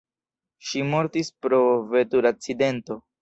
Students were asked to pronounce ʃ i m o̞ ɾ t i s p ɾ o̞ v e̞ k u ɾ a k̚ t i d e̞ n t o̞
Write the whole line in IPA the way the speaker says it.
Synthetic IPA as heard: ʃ i m o̞ ɾ t i s p ɾ o̞ v e̞ t u ɾ a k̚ t͡s i d e̞ n t o̞